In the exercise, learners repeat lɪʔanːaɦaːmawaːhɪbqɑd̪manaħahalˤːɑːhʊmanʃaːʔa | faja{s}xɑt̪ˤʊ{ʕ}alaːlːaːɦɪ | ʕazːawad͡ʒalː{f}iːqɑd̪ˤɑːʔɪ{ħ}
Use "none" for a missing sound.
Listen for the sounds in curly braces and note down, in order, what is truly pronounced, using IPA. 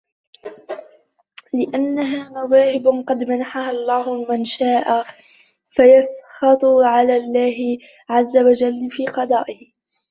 s, ʕ, f, h

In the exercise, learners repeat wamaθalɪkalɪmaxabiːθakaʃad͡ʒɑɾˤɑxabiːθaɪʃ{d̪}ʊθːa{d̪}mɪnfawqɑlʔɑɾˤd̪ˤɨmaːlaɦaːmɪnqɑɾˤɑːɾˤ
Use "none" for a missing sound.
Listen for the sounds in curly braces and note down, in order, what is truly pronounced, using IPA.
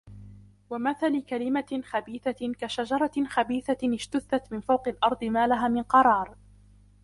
t̪, t̪

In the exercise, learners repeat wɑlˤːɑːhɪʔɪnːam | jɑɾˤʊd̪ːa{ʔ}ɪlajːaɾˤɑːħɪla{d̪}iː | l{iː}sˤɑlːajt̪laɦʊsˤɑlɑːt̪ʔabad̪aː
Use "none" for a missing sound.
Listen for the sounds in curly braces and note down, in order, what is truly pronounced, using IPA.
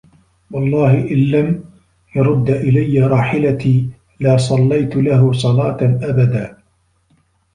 ʔ, t̪, aː

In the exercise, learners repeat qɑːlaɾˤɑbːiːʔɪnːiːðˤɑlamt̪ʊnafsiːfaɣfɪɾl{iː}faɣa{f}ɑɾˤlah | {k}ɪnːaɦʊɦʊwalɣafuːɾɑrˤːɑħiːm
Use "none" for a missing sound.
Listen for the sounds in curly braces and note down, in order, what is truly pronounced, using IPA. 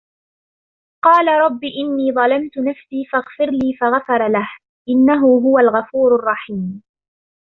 iː, f, ʔ

